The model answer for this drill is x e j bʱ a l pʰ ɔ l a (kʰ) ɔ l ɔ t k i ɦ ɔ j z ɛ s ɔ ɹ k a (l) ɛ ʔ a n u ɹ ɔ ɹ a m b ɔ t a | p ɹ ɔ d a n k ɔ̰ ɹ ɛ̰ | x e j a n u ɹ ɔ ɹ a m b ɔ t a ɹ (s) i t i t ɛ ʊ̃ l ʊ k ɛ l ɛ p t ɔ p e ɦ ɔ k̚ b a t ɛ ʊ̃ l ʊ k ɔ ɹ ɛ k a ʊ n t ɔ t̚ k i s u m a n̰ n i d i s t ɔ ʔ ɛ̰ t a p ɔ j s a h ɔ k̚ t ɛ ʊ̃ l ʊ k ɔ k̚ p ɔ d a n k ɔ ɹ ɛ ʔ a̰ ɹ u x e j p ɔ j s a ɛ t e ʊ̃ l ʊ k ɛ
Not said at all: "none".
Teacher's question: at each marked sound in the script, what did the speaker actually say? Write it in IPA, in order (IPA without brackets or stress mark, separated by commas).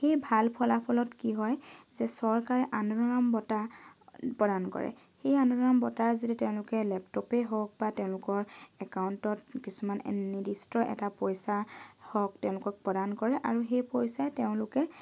pʰ, ɹ, z